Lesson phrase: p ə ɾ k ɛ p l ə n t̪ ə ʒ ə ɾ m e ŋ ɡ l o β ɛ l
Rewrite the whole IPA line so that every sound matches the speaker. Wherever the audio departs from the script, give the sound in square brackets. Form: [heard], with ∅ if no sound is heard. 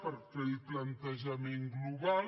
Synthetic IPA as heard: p ə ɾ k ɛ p l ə n t̪ ə ʒ ə [∅] m e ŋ ɡ l [u] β [a] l